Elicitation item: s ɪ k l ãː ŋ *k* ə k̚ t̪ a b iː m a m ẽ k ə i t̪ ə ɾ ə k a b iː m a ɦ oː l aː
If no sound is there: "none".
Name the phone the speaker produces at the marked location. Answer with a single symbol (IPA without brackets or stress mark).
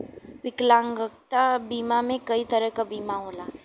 ɡ